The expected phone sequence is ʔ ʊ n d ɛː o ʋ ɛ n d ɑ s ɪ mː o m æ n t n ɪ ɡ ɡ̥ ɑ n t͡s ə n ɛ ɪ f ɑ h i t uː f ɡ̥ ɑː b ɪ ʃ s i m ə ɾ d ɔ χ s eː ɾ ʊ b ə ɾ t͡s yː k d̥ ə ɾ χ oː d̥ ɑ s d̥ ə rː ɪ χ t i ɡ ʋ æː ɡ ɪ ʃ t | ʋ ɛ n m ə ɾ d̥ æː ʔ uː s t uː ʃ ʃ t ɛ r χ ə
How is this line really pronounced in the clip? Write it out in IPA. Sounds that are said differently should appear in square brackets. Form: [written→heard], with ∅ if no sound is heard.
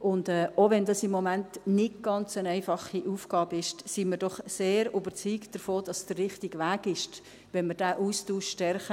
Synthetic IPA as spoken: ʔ ʊ n d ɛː o ʋ ɛ n d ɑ s ɪ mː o m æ n t n ɪ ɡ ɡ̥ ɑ n t͡s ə n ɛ ɪ f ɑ [h→χ] i [t→ʔ] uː f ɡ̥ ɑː b ɪ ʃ s i m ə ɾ d ɔ χ s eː ɾ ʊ b ə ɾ t͡s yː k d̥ ə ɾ [χ→f] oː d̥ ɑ s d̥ ə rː ɪ χ t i ɡ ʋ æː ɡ ɪ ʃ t | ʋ ɛ n m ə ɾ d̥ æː ʔ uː s t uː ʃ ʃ t ɛ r χ ə